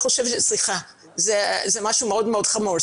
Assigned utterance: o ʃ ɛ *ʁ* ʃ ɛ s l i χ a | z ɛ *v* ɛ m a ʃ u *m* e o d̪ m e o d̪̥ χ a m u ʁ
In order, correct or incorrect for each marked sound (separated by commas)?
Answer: incorrect, incorrect, correct